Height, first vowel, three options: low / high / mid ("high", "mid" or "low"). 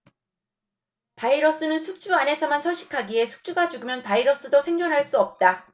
low